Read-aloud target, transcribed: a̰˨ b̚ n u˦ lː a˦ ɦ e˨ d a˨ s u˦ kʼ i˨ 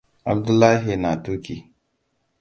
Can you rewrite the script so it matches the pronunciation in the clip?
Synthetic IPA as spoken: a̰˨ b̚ d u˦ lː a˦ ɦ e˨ n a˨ t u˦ k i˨